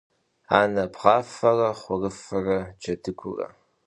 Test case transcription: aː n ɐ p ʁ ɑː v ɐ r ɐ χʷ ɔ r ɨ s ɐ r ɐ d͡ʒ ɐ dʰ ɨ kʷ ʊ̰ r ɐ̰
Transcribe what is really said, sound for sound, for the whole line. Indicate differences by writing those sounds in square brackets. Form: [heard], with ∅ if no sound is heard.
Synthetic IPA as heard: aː n ɐ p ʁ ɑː [f] ɐ r ɐ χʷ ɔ r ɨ [f] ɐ r ɐ d͡ʒ ɐ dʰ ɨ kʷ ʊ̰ r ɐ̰